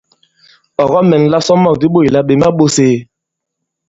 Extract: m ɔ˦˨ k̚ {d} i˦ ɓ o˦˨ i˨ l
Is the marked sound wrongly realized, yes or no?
no